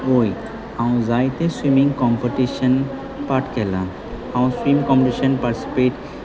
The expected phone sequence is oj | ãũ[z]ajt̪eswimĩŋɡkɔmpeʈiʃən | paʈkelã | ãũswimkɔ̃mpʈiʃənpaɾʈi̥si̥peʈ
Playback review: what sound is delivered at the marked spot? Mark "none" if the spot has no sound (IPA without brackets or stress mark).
z